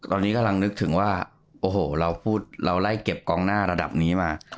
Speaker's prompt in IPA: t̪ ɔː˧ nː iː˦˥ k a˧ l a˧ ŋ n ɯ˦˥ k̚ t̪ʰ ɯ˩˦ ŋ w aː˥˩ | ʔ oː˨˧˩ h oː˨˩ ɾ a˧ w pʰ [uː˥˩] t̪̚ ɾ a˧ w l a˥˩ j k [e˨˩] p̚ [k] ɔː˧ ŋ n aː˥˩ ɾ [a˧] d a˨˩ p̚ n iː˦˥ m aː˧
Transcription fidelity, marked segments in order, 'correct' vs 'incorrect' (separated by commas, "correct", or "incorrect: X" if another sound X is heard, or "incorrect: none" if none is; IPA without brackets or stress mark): correct, correct, correct, correct